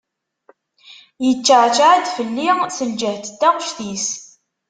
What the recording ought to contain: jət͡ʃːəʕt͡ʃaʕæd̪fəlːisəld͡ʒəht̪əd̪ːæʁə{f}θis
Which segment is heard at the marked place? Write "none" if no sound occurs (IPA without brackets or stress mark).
ʃ